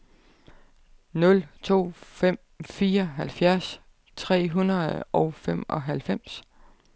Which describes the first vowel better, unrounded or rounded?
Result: rounded